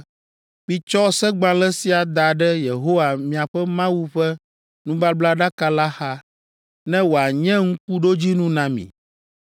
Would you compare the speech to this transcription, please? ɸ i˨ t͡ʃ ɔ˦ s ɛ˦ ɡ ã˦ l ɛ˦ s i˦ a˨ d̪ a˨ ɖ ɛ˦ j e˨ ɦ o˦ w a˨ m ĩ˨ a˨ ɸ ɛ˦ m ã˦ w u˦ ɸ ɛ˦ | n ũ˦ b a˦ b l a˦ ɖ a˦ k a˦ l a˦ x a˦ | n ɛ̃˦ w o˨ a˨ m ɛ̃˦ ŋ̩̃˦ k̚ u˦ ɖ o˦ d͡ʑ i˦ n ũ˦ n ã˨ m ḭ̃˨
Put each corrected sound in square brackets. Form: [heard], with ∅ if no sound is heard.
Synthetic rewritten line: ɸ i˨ t͡ʃ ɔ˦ s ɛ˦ [ɡ͡b] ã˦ l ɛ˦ s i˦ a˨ d̪ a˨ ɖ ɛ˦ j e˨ ɦ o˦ w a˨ m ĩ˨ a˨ ɸ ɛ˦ m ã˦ w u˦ ɸ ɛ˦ | n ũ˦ b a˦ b l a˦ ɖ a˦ k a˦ l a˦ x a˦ | n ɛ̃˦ w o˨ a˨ [ɲ] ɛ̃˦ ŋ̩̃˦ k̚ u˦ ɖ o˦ d͡ʑ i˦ n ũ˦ n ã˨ m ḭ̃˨